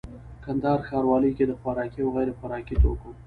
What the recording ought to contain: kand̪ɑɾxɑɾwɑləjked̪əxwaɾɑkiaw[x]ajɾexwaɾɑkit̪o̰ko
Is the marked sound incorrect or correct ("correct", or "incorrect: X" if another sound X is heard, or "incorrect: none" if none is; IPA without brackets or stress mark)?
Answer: incorrect: ɣ